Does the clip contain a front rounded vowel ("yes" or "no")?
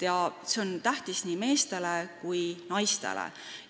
no